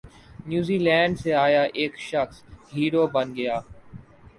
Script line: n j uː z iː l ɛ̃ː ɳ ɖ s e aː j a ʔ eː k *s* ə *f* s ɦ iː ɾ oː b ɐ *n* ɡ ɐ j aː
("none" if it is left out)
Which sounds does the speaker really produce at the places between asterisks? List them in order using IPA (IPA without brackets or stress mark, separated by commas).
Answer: ʃ, x, n